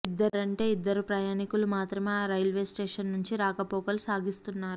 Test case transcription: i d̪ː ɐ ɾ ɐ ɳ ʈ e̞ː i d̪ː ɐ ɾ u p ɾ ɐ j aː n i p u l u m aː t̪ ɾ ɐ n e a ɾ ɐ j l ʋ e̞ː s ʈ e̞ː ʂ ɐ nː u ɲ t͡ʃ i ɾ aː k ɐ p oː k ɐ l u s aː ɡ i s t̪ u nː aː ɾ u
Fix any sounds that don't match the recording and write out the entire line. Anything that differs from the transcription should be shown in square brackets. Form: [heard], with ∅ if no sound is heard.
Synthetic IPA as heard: i d̪ː ɐ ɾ ɐ ɳ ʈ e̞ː i d̪ː ɐ ɾ u p ɾ ɐ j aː n i [k] u l u m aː t̪ ɾ ɐ [m] e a ɾ ɐ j l ʋ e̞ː s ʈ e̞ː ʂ ɐ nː u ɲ t͡ʃ i ɾ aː k ɐ p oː k ɐ l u s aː ɡ i s t̪ u nː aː ɾ u